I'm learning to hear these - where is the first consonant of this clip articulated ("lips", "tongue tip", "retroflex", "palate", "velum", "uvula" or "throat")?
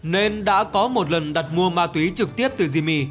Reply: tongue tip